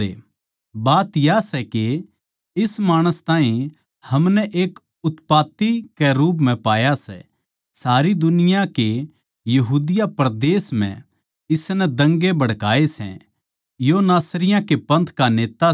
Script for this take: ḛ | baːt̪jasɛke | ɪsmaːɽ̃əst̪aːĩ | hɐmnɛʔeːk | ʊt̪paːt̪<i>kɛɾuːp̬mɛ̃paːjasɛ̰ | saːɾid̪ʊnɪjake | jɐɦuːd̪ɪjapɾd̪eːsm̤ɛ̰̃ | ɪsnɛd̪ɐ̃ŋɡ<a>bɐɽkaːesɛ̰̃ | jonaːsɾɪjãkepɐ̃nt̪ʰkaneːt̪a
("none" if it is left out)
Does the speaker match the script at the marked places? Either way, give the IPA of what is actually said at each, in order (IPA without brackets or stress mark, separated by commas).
i, e